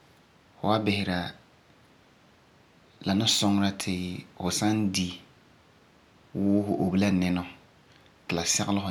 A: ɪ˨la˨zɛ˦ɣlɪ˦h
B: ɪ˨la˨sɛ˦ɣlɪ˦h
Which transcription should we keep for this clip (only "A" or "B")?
B